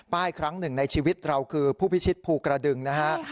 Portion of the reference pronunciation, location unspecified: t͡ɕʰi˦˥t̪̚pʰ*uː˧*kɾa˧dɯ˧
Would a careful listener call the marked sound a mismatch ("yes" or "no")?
no